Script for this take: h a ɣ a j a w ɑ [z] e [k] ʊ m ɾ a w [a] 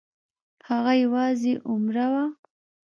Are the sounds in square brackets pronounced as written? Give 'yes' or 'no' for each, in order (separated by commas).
yes, no, yes